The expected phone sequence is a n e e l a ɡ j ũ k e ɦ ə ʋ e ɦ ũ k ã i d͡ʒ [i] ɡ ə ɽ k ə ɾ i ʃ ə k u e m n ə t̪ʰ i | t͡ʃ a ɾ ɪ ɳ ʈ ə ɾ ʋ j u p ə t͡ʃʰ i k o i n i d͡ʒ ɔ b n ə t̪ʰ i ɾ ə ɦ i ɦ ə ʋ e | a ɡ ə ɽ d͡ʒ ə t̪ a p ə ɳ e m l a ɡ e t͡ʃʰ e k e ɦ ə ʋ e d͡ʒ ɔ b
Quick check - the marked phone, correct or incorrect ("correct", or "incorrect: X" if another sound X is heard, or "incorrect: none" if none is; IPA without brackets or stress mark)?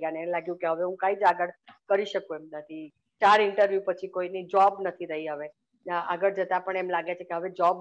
incorrect: a